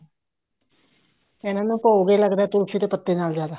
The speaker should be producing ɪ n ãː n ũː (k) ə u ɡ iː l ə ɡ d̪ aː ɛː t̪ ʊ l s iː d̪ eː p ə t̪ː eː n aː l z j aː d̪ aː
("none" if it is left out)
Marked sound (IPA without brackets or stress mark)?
p